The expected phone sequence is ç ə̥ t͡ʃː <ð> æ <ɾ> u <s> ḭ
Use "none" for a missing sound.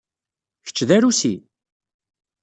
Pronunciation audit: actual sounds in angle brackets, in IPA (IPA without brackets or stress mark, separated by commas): ð, ɾ, s